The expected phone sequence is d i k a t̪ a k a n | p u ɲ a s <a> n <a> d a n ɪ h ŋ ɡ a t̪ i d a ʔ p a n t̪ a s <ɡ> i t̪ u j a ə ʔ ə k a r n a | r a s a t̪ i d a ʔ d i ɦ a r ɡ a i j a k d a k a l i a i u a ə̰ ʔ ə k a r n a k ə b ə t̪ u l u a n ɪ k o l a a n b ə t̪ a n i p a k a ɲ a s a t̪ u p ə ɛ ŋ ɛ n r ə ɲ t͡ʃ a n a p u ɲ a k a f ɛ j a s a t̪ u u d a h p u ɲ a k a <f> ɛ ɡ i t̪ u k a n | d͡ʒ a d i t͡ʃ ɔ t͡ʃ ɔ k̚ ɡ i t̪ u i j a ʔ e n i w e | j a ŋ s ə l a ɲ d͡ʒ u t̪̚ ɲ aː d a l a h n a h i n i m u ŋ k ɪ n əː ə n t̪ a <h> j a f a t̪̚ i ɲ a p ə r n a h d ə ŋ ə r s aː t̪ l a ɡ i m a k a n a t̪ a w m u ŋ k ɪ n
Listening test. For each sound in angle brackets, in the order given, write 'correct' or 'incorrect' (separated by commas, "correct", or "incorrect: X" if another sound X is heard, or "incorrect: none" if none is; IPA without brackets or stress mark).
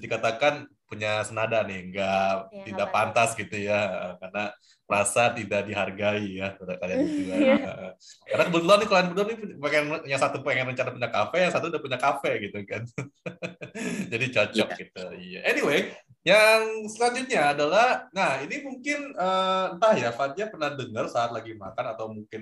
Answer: incorrect: ə, correct, correct, correct, correct